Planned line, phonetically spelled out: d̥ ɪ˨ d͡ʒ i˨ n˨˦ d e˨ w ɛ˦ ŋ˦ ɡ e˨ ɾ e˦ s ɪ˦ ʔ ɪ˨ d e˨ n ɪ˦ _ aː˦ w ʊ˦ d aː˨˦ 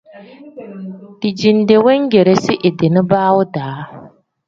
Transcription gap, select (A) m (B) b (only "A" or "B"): B